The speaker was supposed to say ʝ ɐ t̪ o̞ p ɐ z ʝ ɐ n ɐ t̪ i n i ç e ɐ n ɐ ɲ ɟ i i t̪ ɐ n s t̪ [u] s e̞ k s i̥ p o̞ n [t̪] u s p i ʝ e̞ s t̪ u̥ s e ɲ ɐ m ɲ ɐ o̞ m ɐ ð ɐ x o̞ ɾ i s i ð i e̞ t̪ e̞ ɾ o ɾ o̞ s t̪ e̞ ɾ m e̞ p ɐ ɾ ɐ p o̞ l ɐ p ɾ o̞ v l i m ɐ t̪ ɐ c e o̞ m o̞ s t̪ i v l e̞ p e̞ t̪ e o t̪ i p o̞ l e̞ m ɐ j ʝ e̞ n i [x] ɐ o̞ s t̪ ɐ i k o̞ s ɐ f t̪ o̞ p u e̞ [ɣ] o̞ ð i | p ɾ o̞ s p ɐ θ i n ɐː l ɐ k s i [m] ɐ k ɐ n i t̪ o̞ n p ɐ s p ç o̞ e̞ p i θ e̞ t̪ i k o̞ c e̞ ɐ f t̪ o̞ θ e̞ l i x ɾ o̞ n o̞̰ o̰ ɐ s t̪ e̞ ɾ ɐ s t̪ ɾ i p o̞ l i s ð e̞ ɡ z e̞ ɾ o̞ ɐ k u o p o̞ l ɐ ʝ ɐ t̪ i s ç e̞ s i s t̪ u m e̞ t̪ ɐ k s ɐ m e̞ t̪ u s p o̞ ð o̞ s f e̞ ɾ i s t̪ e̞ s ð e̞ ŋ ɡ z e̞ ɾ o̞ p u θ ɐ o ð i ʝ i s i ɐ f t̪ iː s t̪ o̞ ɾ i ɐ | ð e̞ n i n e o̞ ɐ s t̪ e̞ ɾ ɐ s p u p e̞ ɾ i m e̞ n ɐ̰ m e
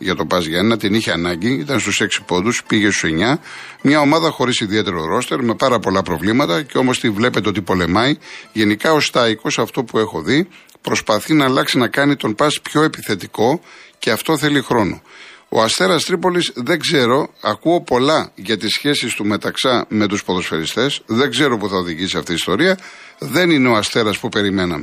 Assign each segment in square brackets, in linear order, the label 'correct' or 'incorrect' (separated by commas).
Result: correct, incorrect, incorrect, incorrect, incorrect